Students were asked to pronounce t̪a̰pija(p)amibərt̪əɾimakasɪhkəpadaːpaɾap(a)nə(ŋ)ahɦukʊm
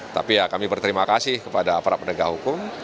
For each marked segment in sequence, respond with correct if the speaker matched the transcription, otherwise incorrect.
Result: incorrect, incorrect, incorrect

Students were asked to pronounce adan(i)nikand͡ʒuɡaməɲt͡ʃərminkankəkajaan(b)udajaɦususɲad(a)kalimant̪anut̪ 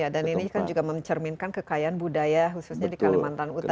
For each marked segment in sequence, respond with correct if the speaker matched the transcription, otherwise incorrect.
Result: correct, correct, incorrect

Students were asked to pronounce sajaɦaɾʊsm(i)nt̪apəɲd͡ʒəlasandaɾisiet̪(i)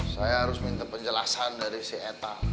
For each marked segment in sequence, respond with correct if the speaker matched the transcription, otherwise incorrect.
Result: correct, incorrect

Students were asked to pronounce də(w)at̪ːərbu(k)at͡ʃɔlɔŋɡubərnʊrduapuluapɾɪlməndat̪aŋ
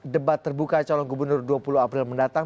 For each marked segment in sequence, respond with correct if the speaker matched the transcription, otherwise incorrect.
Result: incorrect, correct

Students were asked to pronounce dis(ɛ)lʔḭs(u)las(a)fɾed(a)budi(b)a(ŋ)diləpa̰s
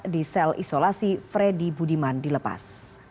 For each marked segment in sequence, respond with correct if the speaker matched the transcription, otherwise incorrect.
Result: correct, incorrect, incorrect, incorrect, incorrect, incorrect

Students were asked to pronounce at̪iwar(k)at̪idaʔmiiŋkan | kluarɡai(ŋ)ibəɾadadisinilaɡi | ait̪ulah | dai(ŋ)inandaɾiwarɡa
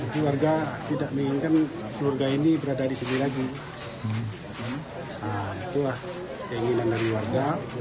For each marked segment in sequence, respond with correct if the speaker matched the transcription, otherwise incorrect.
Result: incorrect, incorrect, correct

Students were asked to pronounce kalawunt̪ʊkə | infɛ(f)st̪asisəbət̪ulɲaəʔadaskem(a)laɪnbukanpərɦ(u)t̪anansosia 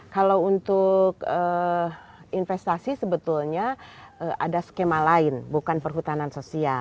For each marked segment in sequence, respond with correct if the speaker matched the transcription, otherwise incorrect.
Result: incorrect, correct, correct

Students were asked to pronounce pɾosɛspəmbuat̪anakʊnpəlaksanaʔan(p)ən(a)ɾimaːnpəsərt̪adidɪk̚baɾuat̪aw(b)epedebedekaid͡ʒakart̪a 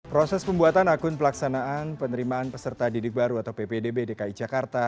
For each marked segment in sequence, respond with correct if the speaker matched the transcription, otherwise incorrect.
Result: correct, incorrect, incorrect

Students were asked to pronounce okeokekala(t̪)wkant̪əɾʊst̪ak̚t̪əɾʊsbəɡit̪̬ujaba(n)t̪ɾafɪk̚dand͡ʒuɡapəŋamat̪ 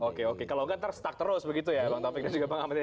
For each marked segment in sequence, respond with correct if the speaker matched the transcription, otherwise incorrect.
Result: incorrect, incorrect

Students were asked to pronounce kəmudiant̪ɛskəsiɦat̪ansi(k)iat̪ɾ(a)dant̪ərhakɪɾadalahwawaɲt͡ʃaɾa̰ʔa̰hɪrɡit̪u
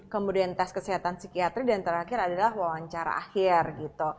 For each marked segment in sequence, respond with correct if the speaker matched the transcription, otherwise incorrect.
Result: correct, incorrect

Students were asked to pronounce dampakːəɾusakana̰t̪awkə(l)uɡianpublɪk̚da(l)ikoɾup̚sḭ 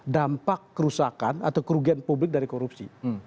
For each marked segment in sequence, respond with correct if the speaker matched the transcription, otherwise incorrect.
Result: incorrect, incorrect

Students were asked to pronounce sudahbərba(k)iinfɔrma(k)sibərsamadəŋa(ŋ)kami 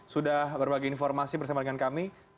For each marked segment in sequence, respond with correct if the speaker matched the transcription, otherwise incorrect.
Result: incorrect, incorrect, incorrect

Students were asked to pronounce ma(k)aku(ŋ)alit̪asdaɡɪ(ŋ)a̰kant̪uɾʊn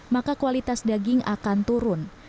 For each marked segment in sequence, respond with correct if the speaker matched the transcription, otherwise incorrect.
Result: correct, incorrect, correct

